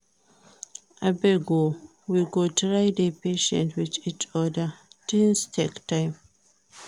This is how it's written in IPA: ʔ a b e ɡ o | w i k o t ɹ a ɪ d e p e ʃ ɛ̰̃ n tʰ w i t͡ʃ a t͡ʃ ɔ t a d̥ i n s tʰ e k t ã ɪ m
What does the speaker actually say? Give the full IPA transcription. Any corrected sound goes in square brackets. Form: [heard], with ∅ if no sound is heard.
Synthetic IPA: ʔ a b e ɡ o | w i [ɡ] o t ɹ a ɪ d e p e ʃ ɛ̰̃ n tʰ w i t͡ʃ [i] t͡ʃ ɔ [d] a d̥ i n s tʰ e k t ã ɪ m